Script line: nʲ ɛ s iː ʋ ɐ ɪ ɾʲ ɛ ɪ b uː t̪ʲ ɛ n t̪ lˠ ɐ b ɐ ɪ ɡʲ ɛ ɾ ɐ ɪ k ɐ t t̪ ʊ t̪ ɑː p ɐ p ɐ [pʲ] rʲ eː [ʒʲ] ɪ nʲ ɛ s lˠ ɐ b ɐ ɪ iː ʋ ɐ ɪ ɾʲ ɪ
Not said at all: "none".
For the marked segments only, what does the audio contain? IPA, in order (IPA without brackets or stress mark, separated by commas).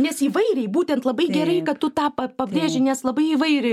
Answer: bʲ, ʒʲ